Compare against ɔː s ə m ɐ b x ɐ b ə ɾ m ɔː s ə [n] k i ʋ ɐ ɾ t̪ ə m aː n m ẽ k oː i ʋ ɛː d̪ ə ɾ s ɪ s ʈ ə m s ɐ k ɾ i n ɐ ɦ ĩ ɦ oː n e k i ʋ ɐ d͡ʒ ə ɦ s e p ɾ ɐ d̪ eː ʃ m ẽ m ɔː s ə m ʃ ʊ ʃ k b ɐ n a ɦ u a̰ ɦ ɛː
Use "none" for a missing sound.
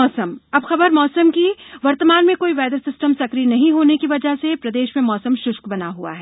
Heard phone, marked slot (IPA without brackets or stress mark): m